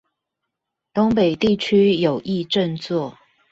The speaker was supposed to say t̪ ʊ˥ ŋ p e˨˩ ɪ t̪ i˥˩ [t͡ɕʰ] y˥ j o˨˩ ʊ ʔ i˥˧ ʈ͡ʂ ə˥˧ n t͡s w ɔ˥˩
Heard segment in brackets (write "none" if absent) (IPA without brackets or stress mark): t͡ɕʰ